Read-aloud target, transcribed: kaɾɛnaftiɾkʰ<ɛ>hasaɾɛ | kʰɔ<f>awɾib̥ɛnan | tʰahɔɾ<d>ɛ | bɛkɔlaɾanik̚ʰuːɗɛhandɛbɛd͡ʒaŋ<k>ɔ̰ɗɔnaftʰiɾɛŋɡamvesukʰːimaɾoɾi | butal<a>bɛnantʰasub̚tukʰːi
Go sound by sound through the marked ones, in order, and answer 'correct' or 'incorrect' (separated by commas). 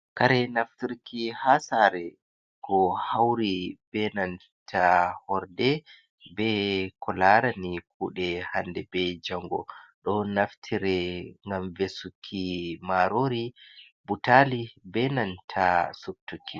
incorrect, incorrect, correct, incorrect, incorrect